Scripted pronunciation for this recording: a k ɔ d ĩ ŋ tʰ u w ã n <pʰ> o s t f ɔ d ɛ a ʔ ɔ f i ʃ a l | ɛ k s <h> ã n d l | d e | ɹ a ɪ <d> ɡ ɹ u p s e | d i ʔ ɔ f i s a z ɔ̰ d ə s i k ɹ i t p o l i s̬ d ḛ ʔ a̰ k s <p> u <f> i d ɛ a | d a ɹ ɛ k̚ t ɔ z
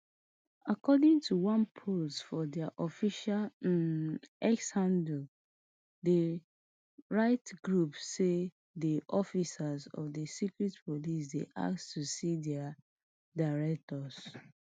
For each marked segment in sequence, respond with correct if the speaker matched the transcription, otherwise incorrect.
correct, correct, incorrect: t, incorrect: t, incorrect: s

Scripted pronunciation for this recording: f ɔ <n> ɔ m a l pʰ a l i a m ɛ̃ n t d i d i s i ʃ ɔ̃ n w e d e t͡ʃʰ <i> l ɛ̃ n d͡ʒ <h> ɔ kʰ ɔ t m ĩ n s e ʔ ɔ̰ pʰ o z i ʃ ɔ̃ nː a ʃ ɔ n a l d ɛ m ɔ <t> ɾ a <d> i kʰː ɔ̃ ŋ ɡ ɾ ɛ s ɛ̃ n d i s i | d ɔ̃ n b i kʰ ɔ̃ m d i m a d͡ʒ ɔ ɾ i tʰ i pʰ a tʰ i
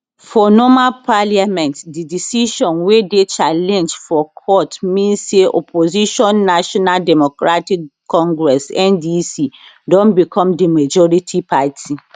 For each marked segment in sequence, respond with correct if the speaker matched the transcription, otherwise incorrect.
correct, incorrect: a, incorrect: f, incorrect: k, incorrect: t

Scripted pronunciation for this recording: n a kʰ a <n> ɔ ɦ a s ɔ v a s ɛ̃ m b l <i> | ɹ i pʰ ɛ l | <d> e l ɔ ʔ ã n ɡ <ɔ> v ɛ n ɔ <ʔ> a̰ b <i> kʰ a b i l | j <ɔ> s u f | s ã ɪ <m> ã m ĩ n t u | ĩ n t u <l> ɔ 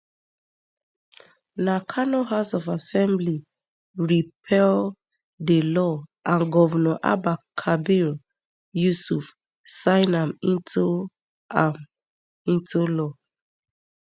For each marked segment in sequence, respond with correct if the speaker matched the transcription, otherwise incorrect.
correct, correct, correct, correct, correct, incorrect: a, incorrect: u, incorrect: n, correct

